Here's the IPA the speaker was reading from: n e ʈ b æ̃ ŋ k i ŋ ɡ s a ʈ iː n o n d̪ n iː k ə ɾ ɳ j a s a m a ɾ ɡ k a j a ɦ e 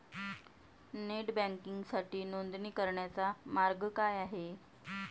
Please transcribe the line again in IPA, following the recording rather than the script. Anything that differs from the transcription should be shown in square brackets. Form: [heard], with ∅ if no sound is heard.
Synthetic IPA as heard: n e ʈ b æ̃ ŋ k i ŋ ɡ s a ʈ iː n o n d̪ n iː k ə ɾ ɳ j a [t͡s] a m a ɾ ɡ k a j a ɦ e